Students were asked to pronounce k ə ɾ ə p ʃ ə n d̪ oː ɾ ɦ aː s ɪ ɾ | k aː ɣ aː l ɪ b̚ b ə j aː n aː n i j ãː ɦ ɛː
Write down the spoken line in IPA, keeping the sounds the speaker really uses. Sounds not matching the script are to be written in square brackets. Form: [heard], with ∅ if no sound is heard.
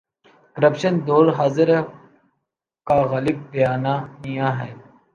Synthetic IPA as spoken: k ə ɾ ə p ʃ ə n d̪ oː ɾ ɦ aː [z] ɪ ɾ | k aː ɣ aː l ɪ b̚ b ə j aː n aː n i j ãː ɦ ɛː